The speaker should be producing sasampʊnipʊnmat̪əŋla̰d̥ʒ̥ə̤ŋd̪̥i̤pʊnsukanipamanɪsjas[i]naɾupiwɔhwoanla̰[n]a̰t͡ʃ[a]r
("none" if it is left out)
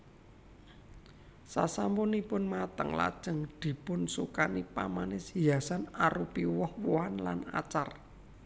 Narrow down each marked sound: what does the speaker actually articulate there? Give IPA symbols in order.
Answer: a, n, a

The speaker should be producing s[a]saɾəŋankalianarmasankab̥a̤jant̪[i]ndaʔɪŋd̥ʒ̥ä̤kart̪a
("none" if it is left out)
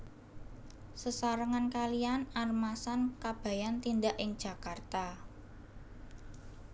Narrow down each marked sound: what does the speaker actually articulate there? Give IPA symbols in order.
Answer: ə, i

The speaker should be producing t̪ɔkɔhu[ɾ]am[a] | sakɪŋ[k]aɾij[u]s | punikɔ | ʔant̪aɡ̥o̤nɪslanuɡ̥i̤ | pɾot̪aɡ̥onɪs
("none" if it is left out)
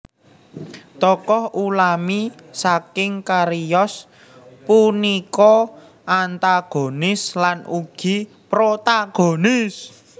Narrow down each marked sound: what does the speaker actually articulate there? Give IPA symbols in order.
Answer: l, i, k, ɔ

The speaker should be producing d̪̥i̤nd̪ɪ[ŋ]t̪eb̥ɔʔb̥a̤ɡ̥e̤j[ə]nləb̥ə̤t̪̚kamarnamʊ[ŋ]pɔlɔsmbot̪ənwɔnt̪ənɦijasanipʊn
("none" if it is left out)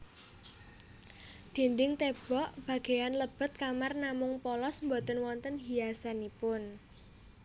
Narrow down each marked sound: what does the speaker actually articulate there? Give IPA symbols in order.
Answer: ŋ, a, ŋ

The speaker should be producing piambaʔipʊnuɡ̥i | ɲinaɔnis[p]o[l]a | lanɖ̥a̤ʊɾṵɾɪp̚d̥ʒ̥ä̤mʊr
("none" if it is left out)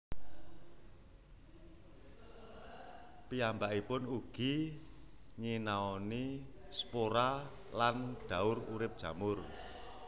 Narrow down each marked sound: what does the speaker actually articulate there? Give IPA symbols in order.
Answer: p, ɾ

